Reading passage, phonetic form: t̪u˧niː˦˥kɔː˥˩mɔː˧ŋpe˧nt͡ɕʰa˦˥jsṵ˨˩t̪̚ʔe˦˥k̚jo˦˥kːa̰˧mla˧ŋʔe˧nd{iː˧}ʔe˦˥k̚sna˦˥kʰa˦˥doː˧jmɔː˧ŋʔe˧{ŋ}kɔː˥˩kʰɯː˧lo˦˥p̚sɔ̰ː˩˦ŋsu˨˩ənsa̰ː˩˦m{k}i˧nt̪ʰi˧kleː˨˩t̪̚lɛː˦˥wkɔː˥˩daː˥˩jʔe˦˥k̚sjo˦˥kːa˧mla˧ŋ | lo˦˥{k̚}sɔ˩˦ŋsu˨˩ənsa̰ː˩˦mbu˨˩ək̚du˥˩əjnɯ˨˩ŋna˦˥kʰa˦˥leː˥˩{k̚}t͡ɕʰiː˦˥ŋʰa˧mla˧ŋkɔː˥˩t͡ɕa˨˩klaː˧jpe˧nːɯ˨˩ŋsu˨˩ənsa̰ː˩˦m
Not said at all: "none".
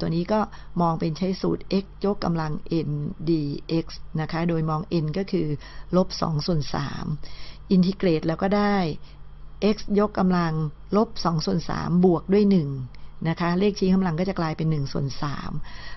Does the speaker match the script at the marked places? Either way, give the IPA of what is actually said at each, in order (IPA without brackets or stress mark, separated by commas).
iː˧, n, ʔ, p̚, k̚